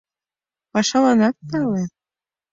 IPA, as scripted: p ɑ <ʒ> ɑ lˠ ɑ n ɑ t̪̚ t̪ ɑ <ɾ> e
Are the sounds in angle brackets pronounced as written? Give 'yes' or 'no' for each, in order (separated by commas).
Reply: no, no